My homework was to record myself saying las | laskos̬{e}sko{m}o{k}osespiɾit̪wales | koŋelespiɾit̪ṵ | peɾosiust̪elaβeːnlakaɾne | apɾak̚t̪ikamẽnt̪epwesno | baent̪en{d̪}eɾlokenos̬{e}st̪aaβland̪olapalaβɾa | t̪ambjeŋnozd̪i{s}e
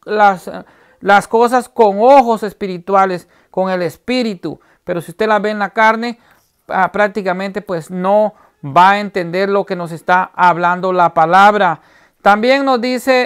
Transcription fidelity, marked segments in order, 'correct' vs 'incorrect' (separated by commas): incorrect, incorrect, incorrect, correct, correct, correct